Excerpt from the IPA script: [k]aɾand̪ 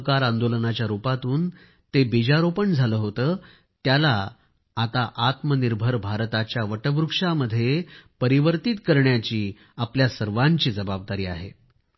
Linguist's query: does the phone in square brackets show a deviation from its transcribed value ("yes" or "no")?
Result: no